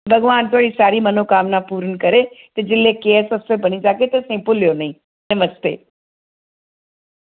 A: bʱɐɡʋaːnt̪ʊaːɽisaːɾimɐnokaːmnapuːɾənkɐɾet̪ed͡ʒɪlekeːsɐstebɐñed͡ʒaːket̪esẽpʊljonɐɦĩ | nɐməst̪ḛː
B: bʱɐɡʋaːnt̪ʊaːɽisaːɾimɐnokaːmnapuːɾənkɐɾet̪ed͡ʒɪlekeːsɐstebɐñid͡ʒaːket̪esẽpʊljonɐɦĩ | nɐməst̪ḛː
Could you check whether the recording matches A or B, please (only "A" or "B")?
B